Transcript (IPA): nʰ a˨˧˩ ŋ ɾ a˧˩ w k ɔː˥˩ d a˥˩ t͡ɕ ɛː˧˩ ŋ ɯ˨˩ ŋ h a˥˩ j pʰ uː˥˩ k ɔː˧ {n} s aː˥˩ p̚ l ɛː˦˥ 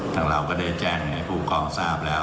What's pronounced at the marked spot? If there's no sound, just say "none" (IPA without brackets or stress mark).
ŋ